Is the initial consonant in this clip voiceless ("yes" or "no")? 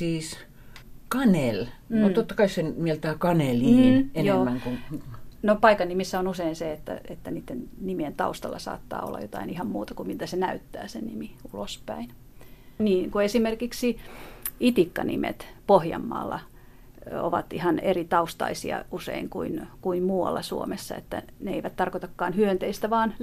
yes